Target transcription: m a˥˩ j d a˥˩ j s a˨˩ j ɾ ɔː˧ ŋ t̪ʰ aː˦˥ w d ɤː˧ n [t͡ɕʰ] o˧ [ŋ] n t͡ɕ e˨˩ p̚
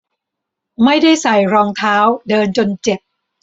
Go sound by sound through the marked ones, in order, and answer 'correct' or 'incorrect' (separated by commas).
incorrect, incorrect